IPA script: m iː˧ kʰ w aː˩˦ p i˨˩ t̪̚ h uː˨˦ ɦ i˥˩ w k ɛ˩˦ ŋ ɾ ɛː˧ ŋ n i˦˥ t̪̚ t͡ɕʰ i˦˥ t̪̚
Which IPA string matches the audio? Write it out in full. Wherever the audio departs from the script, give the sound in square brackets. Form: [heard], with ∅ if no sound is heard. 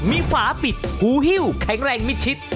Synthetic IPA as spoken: m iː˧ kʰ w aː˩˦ p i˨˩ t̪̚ h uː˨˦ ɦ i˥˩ w [kʰ] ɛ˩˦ ŋ ɾ ɛː˧ ŋ [m] i˦˥ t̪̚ t͡ɕʰ i˦˥ t̪̚